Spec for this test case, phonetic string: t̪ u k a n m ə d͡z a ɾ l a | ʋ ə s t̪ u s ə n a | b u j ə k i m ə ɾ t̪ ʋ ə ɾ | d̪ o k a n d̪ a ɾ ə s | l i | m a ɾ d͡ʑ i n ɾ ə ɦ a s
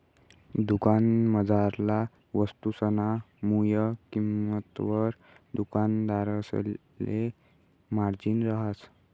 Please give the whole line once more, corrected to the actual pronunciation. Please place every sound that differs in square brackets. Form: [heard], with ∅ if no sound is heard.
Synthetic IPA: [d̪] u k a n m ə d͡z a ɾ l a | ʋ ə s t̪ u s ə n a | [m] u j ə k i m ə [∅] t̪ ʋ ə ɾ | d̪ [u] k a n d̪ a ɾ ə s | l [e] | m a ɾ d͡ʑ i n ɾ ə ɦ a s